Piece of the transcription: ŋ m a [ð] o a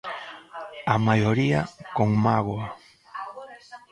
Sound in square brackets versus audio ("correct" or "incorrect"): incorrect